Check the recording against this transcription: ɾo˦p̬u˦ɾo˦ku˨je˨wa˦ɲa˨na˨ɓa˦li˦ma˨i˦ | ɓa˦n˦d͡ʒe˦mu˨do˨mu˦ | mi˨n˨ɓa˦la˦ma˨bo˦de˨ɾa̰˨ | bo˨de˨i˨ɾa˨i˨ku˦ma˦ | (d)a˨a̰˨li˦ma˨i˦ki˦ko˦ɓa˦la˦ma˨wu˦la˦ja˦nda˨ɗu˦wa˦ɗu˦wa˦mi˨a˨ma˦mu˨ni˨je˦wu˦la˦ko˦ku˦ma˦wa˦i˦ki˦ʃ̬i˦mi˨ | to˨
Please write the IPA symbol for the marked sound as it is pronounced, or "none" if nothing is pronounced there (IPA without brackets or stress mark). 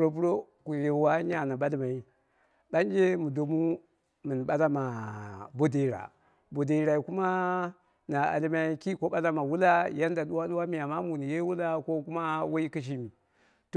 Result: n